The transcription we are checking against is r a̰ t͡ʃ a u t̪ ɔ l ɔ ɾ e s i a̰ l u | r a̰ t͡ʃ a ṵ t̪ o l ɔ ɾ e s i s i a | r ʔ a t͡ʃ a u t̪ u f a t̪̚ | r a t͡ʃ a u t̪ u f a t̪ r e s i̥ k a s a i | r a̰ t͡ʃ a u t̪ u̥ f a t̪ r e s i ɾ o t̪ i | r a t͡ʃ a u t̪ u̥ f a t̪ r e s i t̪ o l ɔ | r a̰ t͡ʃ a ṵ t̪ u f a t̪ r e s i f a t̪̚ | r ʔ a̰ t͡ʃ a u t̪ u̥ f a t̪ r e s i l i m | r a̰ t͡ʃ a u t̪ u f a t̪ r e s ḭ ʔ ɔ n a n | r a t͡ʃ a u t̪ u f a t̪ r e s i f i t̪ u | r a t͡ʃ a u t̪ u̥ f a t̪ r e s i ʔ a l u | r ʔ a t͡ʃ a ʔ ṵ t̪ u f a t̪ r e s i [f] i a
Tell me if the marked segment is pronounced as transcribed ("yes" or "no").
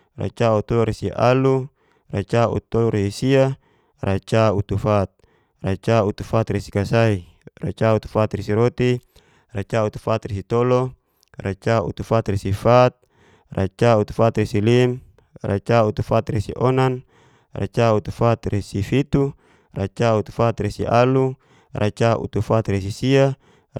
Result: no